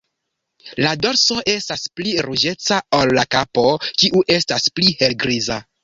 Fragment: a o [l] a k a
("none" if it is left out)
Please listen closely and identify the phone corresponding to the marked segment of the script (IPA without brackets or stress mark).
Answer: lː